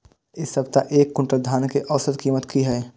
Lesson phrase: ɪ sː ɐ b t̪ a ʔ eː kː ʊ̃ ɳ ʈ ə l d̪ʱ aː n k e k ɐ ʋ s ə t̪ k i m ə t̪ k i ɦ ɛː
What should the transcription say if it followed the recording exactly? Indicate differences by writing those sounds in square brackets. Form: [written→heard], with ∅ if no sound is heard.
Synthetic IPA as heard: ɪ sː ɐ b t̪ a ʔ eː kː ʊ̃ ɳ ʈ ə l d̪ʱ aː n k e [k→ʔ] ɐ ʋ s ə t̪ k [i→iː] m ə t̪ k i ɦ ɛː